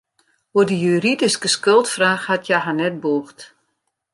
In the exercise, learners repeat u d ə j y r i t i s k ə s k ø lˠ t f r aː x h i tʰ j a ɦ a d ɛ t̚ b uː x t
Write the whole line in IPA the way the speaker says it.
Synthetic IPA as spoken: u d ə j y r i d i s k ə s k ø lˠ t f r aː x h a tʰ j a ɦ a n ɛ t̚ b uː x t